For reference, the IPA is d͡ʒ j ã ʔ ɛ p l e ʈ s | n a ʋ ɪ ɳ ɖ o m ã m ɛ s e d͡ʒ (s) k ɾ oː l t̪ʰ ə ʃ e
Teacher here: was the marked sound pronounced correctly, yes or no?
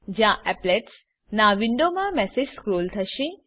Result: yes